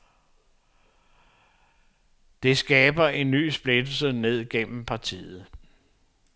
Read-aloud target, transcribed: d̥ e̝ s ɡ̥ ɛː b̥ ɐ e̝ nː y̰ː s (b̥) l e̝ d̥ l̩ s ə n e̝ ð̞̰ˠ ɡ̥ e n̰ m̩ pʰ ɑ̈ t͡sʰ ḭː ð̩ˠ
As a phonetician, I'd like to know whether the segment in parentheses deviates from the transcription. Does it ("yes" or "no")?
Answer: no